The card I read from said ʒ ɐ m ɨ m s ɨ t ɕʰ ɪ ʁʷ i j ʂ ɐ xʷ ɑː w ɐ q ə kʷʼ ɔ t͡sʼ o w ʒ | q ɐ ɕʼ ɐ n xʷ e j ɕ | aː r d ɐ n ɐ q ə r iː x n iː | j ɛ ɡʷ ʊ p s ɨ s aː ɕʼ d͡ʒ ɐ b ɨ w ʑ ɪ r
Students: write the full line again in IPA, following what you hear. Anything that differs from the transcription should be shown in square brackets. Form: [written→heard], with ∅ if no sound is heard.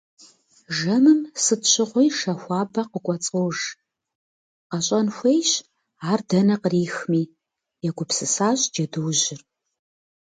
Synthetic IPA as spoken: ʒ ɐ m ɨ m s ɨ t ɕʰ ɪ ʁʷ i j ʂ ɐ xʷ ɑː [w→b] ɐ q ə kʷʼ ɔ t͡sʼ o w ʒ | q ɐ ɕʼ ɐ n xʷ e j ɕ | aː r d ɐ n ɐ q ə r iː x [n→m] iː | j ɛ ɡʷ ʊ p s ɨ s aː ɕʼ d͡ʒ ɐ [b→d] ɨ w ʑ ɪ r